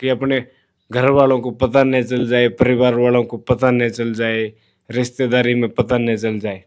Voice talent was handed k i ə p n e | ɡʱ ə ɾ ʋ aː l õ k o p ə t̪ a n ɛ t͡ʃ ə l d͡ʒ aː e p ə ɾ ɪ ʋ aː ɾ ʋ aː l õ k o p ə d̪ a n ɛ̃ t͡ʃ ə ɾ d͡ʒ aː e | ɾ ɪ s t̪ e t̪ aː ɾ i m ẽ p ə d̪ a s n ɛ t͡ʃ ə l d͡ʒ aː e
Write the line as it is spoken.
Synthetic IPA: k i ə p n e | ɡʱ ə ɾ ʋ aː l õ k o p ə t̪ a n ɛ t͡ʃ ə l d͡ʒ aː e p ə ɾ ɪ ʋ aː ɾ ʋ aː l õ k o p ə t̪ a n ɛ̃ t͡ʃ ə l d͡ʒ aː e | ɾ ɪ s t̪ e d̪ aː ɾ i m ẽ p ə t̪ a n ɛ t͡ʃ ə l d͡ʒ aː e

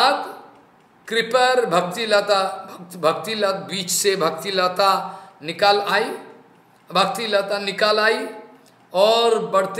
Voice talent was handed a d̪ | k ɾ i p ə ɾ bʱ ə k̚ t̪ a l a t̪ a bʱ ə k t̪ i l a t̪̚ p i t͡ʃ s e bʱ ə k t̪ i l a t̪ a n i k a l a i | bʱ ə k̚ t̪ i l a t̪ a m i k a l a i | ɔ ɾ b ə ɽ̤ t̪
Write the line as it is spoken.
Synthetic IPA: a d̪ | k ɾ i p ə ɾ bʱ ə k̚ t̪ i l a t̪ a bʱ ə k t̪ i l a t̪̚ b i t͡ʃ s e bʱ ə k t̪ i l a t̪ a n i k a l a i | bʱ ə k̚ t̪ i l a t̪ a n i k a l a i | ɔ ɾ b ə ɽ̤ t̪

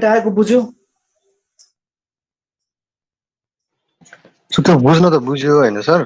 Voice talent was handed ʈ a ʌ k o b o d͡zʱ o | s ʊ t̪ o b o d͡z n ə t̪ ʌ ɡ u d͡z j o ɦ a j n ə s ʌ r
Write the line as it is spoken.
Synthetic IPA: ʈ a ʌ k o b u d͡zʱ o | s u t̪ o b u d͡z n ʌ t̪ ʌ b u d͡z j o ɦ ʌ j n ʌ s ʌ r

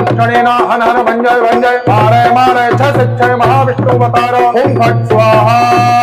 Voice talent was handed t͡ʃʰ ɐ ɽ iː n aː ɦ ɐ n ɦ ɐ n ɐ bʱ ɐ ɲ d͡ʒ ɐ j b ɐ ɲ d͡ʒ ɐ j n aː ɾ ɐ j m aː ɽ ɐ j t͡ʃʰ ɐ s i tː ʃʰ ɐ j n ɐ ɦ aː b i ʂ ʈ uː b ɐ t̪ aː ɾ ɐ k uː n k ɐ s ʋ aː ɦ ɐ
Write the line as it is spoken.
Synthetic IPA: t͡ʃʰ ɐ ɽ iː n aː ɦ ɐ n ɦ ɐ n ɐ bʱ ɐ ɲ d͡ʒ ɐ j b ɐ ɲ d͡ʒ ɐ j m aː ɾ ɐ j m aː ɾ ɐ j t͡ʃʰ ɐ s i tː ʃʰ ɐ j m ɐ ɦ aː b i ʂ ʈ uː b ɐ t̪ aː ɾ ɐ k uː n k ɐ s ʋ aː ɦ ɐ

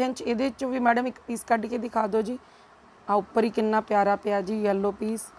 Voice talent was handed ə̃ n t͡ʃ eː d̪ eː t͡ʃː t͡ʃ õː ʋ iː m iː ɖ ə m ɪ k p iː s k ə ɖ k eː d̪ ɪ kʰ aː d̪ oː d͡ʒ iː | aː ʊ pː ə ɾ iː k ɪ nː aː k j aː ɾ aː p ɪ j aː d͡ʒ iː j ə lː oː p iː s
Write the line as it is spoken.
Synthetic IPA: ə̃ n t͡ʃ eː d̪ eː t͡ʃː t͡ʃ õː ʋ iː m ɛː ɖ ə m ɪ k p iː s k ə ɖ k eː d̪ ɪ kʰ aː d̪ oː d͡ʒ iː | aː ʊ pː ə ɾ iː k ɪ nː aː p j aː ɾ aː p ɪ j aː d͡ʒ iː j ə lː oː p iː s

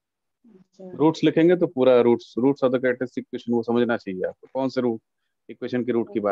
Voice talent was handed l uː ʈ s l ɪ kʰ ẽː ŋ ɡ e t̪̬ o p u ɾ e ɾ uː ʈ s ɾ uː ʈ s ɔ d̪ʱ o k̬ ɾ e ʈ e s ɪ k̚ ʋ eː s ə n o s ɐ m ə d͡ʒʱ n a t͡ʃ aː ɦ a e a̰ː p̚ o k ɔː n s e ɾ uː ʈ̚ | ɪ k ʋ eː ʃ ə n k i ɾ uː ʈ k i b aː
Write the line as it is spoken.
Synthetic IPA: ɾ uː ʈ s l ɪ kʰ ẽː ŋ ɡ e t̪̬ o p uː ɾ a ɾ uː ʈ s ɾ uː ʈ s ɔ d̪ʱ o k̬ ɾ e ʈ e s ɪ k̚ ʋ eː ʃ ə n o s ɐ m ə d͡ʒʱ n a t͡ʃ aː ɦ i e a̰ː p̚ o k ɔː n s e ɾ uː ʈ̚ | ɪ k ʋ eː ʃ ə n k i ɾ uː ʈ k i b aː

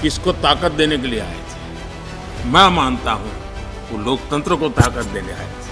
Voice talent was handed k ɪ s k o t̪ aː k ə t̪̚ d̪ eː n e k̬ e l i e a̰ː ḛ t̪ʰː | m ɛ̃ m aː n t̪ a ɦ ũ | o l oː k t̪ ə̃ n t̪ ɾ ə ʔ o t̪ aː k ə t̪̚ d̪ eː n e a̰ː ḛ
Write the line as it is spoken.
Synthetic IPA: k ɪ s k o t̪ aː k ə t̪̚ d̪ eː n e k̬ e l i e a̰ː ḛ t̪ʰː | m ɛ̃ m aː n t̪ a ɦ ũ | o l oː k t̪ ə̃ n t̪ ɾ ə k o t̪ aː k ə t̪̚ d̪ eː n e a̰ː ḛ

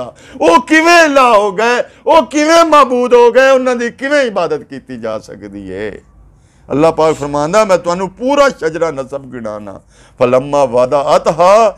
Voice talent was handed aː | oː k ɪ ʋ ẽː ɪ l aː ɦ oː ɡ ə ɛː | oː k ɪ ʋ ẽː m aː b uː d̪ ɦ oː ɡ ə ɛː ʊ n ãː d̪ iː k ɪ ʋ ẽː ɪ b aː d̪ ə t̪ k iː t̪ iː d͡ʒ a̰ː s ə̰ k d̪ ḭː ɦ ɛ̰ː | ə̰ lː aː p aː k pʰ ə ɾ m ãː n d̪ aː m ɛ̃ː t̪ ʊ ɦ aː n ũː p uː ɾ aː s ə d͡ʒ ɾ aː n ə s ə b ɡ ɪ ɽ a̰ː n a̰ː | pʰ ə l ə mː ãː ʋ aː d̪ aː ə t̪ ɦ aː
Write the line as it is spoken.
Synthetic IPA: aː | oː k ɪ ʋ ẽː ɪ l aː ɦ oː ɡ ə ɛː | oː k ɪ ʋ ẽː m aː b uː d̪ ɦ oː ɡ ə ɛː ʊ n ãː d̪ iː k ɪ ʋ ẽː ɪ b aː d̪ ə t̪ k iː t̪ iː d͡ʒ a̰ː s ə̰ k d̪ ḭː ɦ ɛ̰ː | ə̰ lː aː p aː k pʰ ə ɾ m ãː n d̪ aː m ɛ̃ː t̪ ʊ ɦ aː n ũː p uː ɾ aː ʃ ə d͡ʒ ɾ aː n ə s ə b ɡ ɪ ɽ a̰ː n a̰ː | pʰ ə l ə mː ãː ʋ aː d̪ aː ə t̪ ɦ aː

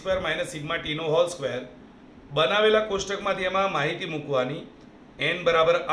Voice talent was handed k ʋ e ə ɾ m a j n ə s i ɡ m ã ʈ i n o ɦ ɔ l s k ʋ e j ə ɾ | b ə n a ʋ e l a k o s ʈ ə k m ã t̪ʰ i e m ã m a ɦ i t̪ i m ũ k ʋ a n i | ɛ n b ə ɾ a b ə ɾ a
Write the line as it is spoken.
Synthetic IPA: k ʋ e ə ɾ m a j n ə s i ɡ m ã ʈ i n o ɦ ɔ l s k ʋ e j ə ɾ | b ə n a ʋ e l a k o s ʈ ə k m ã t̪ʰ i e m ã m a ɦ i t̪ i m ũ k ʋ a n i | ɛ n b ə ɾ a b ə ɾ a

